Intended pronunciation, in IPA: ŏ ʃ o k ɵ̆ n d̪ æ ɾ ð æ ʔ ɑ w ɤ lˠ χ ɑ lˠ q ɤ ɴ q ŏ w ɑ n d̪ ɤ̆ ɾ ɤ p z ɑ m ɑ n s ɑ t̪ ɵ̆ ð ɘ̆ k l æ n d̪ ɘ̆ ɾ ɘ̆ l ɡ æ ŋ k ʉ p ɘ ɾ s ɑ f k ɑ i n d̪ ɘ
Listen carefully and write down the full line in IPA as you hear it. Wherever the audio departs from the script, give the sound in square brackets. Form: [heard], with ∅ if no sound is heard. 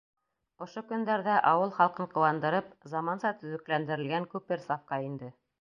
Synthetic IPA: ŏ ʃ o k ɵ̆ n d̪ æ ɾ ð æ ʔ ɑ w ɤ lˠ χ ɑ lˠ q ɤ ɴ q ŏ w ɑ n d̪ ɤ̆ ɾ ɤ p z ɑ m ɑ n s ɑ t̪ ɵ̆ ð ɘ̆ k l æ n d̪ ɘ̆ ɾ ɘ̆ l ɡ æ ŋ k ʉ p ɘ ɾ s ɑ f k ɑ i n d̪ ɘ